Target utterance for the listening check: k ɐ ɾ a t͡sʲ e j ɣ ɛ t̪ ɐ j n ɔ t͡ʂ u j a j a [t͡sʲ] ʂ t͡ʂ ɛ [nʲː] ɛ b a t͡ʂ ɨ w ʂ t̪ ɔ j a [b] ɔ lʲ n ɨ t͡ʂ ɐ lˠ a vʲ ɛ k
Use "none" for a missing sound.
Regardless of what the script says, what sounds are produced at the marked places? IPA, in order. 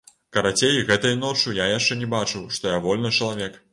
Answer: none, nʲ, v

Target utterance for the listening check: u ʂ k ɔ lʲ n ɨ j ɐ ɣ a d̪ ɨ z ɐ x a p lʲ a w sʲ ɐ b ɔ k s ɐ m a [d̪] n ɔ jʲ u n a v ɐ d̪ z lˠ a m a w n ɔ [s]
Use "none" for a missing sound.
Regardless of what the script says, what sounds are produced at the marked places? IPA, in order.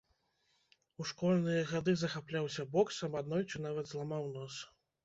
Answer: d̪, s

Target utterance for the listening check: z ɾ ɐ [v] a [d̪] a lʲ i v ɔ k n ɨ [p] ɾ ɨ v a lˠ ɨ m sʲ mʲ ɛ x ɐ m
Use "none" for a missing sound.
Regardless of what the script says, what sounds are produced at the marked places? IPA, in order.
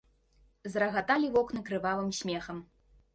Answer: ɣ, t̪, k

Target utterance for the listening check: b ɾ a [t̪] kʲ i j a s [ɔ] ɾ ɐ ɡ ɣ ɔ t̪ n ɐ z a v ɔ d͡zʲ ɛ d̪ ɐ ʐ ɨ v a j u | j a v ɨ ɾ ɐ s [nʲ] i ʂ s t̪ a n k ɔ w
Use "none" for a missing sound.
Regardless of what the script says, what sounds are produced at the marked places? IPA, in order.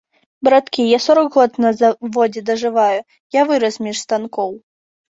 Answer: t̪, ɔ, mʲ

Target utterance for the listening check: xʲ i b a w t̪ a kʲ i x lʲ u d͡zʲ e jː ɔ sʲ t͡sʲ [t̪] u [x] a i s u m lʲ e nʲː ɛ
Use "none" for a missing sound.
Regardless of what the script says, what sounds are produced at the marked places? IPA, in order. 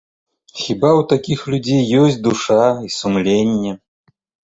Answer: d̪, ʂ

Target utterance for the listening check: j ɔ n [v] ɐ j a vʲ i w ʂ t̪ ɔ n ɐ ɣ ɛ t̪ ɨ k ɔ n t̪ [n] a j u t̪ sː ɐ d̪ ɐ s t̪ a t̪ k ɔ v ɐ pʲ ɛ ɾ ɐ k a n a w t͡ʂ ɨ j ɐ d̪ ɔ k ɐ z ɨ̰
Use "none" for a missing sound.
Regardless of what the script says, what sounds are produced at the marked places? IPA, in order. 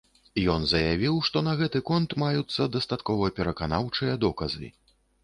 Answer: z, m

